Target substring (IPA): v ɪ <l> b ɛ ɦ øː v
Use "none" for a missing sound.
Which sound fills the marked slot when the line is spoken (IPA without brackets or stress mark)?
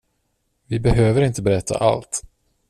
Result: none